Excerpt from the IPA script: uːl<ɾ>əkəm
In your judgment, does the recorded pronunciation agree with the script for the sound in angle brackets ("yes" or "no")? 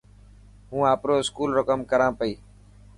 yes